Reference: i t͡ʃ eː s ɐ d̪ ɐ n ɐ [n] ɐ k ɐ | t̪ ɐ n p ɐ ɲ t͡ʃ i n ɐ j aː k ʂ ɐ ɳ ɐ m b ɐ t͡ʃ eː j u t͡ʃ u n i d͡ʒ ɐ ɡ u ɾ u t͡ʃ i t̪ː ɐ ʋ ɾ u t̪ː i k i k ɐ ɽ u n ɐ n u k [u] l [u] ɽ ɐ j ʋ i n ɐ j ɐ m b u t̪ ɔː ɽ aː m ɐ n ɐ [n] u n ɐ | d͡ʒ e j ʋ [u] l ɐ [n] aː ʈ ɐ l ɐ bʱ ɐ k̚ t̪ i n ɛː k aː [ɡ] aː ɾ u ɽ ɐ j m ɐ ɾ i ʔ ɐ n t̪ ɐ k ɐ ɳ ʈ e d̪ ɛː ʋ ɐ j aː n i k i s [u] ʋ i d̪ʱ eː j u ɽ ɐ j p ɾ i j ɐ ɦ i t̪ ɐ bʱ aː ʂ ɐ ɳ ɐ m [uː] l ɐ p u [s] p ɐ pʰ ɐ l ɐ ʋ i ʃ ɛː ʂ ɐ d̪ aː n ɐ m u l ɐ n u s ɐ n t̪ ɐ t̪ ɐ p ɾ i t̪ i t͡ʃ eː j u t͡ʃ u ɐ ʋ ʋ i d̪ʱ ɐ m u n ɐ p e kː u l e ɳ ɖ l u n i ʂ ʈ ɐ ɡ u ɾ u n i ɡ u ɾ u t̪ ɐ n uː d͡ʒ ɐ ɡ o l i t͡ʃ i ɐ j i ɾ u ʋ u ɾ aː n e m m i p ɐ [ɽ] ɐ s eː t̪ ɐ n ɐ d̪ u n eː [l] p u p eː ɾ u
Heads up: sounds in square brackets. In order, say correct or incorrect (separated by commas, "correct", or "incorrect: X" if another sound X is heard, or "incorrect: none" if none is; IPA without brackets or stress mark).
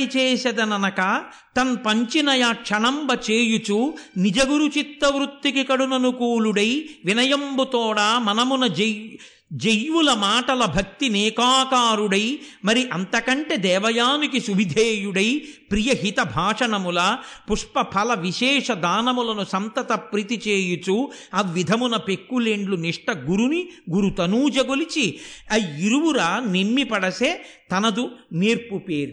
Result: correct, incorrect: uː, correct, incorrect: m, correct, incorrect: m, incorrect: k, correct, incorrect: u, incorrect: ʂ, correct, incorrect: ɾ